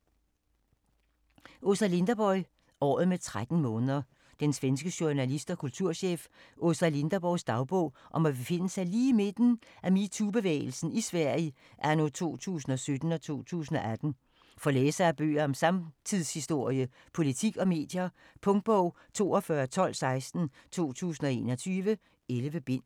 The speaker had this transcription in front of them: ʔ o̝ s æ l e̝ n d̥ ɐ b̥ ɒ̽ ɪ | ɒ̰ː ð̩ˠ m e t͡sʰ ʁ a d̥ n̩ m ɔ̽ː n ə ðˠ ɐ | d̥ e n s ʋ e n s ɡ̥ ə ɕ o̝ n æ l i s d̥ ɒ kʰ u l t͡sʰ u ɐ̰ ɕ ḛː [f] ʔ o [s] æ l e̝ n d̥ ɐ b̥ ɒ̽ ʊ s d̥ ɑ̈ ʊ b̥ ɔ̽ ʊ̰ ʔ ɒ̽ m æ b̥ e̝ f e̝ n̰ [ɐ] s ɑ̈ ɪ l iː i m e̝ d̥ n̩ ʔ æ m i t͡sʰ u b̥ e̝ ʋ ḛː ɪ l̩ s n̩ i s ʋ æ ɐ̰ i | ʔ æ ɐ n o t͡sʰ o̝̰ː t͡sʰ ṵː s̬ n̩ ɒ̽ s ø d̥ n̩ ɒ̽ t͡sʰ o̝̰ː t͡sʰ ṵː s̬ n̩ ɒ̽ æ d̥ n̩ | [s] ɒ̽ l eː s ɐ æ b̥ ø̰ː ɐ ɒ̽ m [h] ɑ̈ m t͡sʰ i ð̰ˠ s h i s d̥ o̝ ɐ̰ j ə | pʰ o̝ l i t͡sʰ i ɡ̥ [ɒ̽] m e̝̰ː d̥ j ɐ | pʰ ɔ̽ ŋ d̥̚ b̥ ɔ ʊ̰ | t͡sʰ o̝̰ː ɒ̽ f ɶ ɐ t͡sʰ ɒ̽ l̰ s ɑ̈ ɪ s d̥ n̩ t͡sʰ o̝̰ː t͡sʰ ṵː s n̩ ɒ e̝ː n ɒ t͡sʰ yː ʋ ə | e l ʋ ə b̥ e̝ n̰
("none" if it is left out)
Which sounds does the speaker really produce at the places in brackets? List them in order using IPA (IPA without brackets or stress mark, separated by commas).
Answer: f, s, ə, f, s, ɒ̽